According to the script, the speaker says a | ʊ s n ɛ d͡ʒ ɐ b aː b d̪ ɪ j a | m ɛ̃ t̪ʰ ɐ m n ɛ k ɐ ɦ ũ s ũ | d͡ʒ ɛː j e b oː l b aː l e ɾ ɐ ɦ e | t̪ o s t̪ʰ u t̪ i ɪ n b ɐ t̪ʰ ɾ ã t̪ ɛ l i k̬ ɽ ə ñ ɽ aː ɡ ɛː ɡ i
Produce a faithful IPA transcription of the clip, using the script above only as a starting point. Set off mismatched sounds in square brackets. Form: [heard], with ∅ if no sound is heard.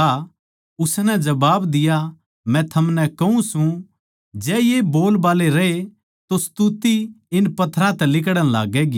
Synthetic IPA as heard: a | ʊ s n ɛ d͡ʒ ɐ b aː b d̪ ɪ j a | m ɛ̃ t̪ʰ ɐ m n ɛ k ɐ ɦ ũ s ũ | d͡ʒ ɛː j e b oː l b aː l e ɾ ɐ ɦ e | t̪ o s [t̪] u t̪ i ɪ n [p] ɐ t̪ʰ ɾ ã t̪ ɛ l [ɪ] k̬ ɽ ə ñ [l] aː ɡ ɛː ɡ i